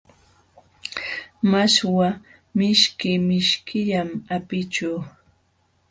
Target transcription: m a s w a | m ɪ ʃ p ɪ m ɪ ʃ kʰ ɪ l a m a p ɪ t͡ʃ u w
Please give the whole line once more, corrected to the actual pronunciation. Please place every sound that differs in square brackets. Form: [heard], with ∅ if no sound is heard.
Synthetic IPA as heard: m a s w a | m ɪ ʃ [k] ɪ m ɪ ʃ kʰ ɪ [ʎ] a m a p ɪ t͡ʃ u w